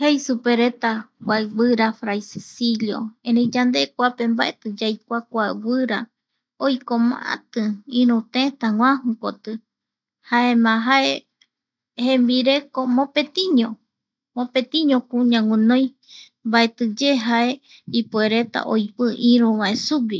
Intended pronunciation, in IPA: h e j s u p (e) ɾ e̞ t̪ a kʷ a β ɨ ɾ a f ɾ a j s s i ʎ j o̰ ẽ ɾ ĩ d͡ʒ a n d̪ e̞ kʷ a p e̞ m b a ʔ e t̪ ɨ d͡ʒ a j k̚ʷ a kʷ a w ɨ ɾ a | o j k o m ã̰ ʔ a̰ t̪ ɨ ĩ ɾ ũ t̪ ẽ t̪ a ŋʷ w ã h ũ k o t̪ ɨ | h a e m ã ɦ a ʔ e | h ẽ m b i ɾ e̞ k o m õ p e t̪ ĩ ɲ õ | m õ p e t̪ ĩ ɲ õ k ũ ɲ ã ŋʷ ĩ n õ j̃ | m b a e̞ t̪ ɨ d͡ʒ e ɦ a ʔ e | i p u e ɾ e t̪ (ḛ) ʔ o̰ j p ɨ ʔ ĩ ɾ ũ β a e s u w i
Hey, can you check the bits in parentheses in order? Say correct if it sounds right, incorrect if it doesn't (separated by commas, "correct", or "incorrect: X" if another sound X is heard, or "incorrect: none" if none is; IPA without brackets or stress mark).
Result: correct, incorrect: a̰